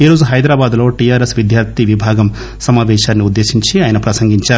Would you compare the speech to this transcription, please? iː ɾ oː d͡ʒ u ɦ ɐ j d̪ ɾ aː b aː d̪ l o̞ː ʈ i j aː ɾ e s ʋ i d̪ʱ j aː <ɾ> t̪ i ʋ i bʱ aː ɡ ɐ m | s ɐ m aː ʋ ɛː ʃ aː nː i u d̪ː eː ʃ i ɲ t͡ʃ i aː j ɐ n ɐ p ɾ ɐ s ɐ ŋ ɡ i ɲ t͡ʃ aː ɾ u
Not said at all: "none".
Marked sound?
ɾ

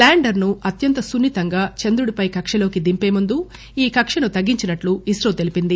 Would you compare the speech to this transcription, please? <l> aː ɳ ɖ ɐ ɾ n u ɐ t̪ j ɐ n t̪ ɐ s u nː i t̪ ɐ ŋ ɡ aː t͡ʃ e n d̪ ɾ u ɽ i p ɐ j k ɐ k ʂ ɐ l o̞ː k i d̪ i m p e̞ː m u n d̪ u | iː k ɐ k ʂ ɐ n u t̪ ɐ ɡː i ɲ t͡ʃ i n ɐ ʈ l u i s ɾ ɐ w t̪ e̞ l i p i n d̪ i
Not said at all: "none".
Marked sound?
l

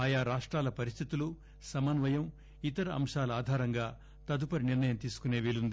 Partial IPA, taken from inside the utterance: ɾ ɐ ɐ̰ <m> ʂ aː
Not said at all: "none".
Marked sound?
m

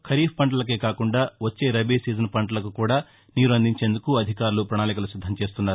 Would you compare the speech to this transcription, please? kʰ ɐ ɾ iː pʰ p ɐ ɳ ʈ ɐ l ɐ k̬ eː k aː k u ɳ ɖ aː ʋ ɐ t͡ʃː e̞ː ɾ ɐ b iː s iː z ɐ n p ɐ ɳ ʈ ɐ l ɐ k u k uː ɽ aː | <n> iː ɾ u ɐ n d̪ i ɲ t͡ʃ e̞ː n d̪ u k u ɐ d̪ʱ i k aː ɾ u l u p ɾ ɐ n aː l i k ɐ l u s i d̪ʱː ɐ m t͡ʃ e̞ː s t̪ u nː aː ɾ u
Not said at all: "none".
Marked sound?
n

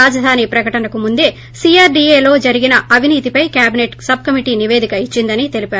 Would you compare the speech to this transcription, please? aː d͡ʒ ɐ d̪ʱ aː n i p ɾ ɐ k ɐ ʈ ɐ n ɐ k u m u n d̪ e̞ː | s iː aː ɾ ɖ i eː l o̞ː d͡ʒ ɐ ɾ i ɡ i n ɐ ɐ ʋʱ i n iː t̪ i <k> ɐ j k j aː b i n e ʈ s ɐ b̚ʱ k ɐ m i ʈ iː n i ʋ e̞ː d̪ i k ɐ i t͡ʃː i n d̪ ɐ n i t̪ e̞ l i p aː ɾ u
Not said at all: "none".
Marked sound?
p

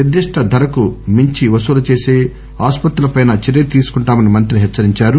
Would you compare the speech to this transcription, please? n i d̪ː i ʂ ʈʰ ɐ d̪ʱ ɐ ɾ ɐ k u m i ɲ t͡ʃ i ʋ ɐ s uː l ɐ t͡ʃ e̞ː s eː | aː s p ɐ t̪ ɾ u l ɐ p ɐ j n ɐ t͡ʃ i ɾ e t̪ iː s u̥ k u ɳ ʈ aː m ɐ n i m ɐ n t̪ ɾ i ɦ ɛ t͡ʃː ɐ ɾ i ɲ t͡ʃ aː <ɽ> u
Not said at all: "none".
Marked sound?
ɾ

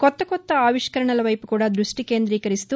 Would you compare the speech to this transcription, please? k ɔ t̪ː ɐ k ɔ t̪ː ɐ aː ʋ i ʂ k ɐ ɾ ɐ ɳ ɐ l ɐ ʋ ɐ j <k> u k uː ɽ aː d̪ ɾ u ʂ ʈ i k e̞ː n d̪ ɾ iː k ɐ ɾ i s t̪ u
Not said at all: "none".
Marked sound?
p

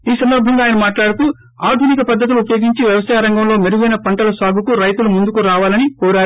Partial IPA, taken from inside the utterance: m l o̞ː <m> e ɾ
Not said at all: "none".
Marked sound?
m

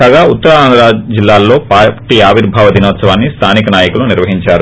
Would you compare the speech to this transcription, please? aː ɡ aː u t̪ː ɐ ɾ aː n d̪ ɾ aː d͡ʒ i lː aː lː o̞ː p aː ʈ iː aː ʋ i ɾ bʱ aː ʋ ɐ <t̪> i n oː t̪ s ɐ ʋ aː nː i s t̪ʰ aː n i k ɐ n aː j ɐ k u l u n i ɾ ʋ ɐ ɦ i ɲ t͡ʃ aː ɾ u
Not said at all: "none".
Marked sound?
d̪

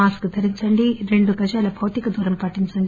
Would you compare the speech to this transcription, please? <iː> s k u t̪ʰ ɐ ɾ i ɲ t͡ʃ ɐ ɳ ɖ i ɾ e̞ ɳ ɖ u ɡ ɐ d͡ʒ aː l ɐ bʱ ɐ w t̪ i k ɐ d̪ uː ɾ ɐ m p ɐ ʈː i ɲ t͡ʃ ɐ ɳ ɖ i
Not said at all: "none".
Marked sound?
aː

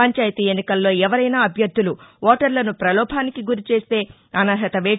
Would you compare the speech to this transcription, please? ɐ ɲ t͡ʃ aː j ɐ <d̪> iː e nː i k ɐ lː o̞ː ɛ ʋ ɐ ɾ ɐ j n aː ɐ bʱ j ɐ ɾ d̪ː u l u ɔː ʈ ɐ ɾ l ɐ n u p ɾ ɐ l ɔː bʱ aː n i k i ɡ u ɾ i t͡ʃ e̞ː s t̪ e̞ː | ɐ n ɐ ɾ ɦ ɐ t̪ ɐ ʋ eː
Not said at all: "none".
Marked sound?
t̪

